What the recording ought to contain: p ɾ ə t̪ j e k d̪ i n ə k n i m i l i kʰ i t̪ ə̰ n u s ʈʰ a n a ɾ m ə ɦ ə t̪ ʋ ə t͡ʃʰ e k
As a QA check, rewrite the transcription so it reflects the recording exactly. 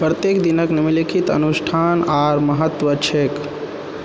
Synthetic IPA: p ɾ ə t̪ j e k d̪ i n ə k n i m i l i kʰ i t̪ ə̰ n u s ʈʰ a n a ɾ m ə ɦ ə t̪ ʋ ə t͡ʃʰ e k

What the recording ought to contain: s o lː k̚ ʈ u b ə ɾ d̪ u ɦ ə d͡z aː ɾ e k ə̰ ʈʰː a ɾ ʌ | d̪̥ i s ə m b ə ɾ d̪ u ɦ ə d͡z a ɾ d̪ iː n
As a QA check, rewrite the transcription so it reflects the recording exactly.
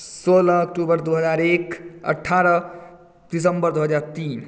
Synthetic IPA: s o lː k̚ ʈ u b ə ɾ d̪ u ɦ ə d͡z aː ɾ e k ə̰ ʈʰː a ɾ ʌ | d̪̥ i s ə m b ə ɾ d̪ u ɦ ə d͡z a ɾ t̪ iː n

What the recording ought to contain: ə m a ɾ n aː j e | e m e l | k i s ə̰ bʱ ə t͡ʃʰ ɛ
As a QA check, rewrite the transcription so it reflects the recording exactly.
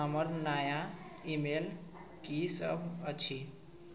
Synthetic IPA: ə m ə ɾ n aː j a | i m e l | k i s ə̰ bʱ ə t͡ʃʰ i

